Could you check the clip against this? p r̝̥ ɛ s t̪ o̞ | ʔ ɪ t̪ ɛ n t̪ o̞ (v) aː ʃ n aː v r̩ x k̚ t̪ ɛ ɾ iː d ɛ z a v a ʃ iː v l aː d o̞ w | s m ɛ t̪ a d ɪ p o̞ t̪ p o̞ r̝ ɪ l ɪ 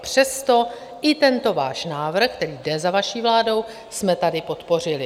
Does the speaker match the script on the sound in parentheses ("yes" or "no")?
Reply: yes